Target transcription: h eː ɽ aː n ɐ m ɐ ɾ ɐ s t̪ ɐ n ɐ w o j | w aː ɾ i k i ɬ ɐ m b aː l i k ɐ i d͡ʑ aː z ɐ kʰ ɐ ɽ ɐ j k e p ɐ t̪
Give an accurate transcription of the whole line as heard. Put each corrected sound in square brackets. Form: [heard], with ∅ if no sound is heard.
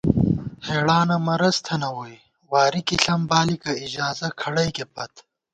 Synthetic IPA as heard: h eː ɽ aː n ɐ m ɐ ɾ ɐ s [t̪ʰ] ɐ n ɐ w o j | w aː ɾ i k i ɬ ɐ m b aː l i k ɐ i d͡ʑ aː z ɐ kʰ ɐ ɽ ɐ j k e p ɐ t̪